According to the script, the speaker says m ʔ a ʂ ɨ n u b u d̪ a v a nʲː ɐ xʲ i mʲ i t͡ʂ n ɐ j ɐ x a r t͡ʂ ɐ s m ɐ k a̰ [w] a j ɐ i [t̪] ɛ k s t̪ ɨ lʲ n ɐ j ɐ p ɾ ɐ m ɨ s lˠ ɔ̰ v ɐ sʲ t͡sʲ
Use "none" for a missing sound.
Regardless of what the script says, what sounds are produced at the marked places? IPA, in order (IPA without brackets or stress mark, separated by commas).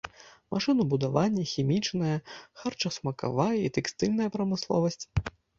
v, t̪